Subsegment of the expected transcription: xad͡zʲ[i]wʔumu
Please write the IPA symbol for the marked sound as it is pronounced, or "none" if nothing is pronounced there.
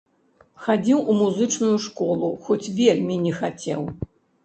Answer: i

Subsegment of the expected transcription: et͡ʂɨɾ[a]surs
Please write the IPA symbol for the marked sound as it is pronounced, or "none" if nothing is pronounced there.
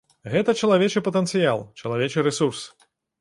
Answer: ɛ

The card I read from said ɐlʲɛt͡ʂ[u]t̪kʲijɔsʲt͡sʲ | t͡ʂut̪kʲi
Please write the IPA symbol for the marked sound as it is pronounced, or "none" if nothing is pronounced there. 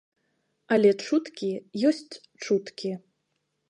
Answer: u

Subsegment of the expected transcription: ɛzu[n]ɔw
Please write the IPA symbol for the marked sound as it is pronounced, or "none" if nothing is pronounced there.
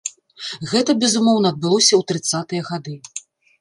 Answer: m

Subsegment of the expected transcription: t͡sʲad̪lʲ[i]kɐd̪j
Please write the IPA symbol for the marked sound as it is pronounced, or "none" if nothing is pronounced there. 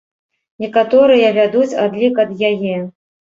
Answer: i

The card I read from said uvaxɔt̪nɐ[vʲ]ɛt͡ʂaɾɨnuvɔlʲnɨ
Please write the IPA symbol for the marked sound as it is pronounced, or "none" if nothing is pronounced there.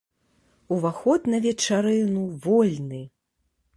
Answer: vʲ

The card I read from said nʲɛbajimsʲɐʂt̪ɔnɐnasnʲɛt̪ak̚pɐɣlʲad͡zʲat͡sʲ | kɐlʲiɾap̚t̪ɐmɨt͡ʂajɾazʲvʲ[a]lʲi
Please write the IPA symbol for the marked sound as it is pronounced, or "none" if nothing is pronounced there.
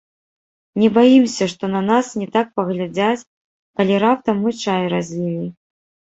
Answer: i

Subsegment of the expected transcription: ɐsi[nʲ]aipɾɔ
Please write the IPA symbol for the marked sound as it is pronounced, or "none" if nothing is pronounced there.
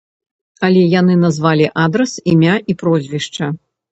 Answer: mʲ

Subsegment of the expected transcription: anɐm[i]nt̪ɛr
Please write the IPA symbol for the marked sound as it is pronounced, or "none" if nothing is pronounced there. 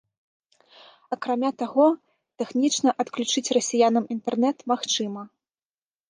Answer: i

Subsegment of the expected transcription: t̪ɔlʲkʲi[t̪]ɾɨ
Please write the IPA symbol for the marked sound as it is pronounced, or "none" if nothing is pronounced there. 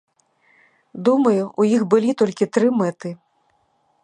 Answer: t̪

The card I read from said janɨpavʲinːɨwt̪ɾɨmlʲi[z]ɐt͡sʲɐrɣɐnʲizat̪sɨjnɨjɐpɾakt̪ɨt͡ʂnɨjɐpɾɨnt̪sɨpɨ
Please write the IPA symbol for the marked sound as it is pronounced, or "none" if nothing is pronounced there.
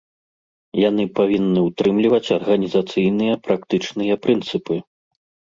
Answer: v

